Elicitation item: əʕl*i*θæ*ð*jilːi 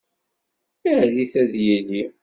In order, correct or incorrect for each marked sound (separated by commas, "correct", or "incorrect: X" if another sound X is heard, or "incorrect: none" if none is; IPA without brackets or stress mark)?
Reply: correct, correct